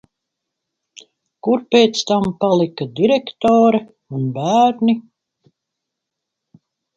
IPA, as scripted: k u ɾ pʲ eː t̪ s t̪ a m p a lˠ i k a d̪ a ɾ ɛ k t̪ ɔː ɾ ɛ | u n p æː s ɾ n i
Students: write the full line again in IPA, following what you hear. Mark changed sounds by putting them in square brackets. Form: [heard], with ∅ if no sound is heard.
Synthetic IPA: k u ɾ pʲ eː t̪ s t̪ a m p a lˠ i k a d̪ [i] ɾ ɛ k t̪ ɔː ɾ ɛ | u n [b] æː [∅] ɾ n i

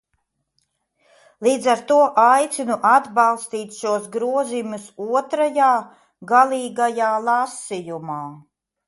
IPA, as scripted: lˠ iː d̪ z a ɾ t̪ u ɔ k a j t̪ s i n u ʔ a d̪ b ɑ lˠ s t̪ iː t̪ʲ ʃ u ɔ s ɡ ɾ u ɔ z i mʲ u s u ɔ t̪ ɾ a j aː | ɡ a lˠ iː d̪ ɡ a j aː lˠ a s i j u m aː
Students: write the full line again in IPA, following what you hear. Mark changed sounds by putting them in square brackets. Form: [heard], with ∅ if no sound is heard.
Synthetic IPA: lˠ iː d̪ z a ɾ t̪ u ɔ [ʔ] a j t̪ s i n u ʔ a d̪ b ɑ lˠ s t̪ iː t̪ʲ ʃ u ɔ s ɡ ɾ u ɔ z i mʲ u s u ɔ t̪ ɾ a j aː | ɡ a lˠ iː [∅] ɡ a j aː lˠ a s i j u m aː

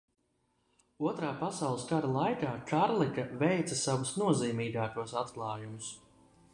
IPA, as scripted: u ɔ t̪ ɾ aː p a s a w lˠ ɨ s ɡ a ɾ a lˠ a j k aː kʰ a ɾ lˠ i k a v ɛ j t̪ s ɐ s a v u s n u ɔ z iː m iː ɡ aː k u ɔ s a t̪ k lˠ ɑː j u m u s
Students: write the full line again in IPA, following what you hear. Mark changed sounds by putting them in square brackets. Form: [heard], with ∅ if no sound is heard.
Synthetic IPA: u ɔ t̪ ɾ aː p a s a w lˠ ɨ s [k] a ɾ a lˠ a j k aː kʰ a ɾ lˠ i k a v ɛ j t̪ s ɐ s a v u s n u ɔ z iː m iː ɡ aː k u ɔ s a t̪ k lˠ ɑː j u m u s

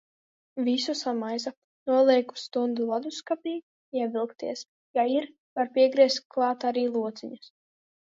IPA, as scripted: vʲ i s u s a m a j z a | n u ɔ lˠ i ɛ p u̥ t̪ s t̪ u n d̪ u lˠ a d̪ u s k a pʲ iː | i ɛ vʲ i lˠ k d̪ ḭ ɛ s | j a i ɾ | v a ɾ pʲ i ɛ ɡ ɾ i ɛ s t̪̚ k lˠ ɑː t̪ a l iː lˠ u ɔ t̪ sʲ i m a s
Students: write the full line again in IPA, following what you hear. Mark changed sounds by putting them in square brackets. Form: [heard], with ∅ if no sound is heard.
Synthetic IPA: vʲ i s u s a m a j z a | n u ɔ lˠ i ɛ [k] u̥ [∅] s t̪ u n d̪ u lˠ a d̪ u s k a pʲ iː | i ɛ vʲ i lˠ k [t̪] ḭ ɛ s | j a i ɾ | v a ɾ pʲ i ɛ ɡ ɾ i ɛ s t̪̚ k lˠ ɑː t̪ a [ɾ] iː lˠ u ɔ t̪ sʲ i [ɲ] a s

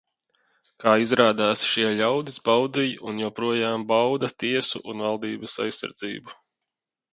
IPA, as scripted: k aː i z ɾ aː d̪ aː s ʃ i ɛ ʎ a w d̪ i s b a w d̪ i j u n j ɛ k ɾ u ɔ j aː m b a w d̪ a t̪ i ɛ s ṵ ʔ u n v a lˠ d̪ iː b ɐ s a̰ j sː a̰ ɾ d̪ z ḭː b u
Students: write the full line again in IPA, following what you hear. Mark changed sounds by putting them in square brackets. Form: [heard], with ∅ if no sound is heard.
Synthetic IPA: k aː i z ɾ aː d̪ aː s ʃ i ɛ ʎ a w d̪ i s b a w d̪ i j u n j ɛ [p] ɾ u ɔ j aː m b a w d̪ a t̪ i ɛ s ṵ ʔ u n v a lˠ d̪ iː b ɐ s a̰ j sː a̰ ɾ d̪ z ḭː b u

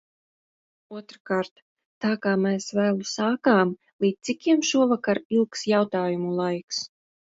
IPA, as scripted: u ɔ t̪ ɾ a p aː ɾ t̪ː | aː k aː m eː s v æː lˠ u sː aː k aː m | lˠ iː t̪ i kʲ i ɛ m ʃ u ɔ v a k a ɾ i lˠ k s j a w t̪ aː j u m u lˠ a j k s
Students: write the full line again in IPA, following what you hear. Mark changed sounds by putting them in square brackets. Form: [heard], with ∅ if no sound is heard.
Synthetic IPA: u ɔ t̪ ɾ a [k] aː ɾ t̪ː | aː k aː m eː s v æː lˠ u [s] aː k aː m | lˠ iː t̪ i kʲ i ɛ m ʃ u ɔ v a k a ɾ i lˠ k s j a w t̪ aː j u m u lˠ a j k s

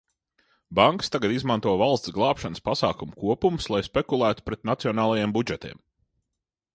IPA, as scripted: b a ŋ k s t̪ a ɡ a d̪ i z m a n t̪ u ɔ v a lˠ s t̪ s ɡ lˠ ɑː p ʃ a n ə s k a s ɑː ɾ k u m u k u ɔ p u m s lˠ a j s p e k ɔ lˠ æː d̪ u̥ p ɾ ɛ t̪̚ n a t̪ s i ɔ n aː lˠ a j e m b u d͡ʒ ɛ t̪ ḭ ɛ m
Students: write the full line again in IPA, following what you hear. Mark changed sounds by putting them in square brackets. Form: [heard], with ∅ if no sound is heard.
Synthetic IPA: b a ŋ k s t̪ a ɡ a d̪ i z m a n t̪ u ɔ v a lˠ s t̪ s ɡ lˠ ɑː p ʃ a n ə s [p] a s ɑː [∅] k u m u k u ɔ p u m s lˠ a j s p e k [u] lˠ æː [t̪] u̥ p ɾ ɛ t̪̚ n a t̪ s i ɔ n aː lˠ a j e m b u d͡ʒ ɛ t̪ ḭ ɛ m

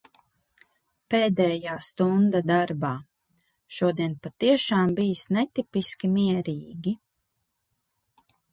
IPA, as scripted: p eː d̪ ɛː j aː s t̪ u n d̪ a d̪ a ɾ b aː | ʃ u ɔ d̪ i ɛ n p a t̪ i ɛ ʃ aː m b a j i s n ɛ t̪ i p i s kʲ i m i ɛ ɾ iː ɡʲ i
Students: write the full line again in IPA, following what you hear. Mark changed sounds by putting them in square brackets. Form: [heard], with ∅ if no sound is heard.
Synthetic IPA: p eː d̪ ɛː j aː s t̪ u n d̪ a d̪ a ɾ b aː | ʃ u ɔ d̪ i ɛ n p a t̪ i ɛ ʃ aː m b [i] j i s n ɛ t̪ i p i s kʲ i m i ɛ ɾ iː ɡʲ i

